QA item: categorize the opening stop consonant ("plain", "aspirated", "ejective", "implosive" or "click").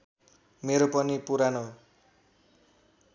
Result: plain